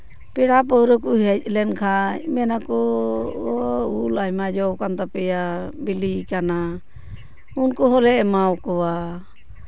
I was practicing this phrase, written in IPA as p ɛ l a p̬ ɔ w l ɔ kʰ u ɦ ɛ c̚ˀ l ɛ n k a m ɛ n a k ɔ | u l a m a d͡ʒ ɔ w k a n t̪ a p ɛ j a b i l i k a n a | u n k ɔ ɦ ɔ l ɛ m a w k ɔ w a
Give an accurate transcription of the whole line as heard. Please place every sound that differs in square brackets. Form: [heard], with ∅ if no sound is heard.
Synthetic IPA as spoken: p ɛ [ɽ] a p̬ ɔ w [ɾ] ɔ [k] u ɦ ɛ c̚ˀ l ɛ n [kʰ] a m ɛ n a k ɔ | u l a m a d͡ʒ ɔ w k a n t̪ a p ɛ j a b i l i k a n a | u n k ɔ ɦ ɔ l ɛ m a w k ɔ w a